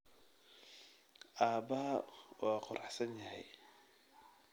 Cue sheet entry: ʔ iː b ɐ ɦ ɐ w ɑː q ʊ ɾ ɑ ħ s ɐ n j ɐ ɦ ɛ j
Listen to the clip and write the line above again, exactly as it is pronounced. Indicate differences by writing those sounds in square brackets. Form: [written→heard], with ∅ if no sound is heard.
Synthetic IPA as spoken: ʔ [iː→aː] b ɐ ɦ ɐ w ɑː q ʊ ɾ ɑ ħ s ɐ n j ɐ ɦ ɛ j